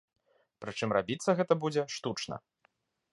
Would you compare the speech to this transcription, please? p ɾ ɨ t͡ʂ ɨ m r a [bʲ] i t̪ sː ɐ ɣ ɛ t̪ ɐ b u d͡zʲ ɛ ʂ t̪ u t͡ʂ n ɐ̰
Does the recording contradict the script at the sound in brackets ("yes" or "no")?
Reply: no